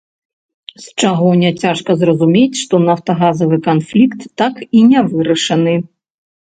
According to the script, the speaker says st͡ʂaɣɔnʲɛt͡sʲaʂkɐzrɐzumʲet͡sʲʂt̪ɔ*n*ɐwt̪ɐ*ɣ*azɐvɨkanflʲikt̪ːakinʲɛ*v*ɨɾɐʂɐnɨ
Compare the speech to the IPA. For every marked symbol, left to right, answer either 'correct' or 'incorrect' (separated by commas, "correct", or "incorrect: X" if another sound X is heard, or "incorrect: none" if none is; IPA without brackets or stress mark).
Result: correct, correct, correct